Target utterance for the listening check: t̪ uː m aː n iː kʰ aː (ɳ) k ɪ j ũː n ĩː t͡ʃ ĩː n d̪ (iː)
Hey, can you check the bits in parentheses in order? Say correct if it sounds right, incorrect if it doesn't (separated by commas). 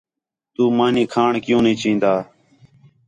correct, incorrect